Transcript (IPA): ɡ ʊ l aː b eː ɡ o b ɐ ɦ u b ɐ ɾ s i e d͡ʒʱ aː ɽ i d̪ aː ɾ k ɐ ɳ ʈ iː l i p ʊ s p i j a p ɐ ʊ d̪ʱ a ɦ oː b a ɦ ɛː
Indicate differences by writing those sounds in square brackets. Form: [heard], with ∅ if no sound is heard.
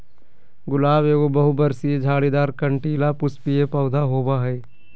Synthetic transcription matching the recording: ɡ ʊ l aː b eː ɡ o b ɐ ɦ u b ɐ ɾ s i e d͡ʒʱ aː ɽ i d̪ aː ɾ k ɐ ɳ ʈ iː l [a] p ʊ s p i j [e] p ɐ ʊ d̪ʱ a ɦ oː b a ɦ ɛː